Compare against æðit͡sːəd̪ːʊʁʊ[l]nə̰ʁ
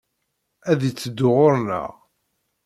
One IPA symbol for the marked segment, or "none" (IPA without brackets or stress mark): ɾ